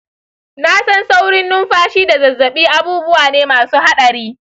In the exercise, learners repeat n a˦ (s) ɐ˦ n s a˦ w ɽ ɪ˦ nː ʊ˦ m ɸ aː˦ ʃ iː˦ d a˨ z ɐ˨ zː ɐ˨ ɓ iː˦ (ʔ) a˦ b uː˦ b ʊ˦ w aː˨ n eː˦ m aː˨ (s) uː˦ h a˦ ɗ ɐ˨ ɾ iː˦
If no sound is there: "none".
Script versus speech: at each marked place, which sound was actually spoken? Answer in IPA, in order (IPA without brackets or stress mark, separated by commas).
s, ʔ, s